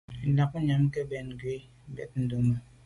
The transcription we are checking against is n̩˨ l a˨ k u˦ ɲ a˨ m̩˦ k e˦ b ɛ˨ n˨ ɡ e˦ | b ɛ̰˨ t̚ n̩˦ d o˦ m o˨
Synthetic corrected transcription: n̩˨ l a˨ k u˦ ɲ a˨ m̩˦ k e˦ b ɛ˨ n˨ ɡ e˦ | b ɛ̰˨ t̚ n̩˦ d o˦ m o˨